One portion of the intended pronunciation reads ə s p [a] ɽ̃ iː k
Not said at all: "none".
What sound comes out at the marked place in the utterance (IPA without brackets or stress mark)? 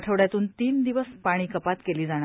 a